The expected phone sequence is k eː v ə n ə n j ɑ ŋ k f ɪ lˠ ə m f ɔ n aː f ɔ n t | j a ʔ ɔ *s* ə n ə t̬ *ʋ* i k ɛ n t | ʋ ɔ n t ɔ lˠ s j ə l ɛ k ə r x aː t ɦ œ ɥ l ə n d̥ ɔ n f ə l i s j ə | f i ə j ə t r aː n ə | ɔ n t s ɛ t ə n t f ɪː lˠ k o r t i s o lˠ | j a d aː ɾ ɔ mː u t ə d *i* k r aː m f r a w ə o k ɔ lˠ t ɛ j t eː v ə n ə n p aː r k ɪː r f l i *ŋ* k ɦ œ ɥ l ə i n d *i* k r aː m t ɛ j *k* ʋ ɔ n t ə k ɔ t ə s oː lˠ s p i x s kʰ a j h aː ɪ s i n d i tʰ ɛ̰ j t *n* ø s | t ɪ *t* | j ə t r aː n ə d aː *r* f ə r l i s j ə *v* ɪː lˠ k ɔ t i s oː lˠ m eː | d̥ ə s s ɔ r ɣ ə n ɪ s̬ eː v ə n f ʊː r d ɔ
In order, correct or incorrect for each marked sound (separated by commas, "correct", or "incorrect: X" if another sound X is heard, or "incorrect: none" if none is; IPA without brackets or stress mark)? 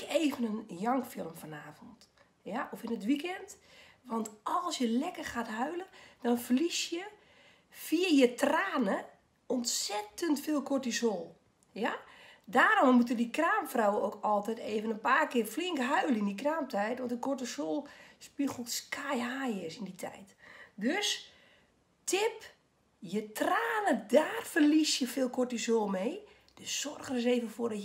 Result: incorrect: f, correct, correct, correct, correct, incorrect: t, incorrect: d, incorrect: p, correct, incorrect: f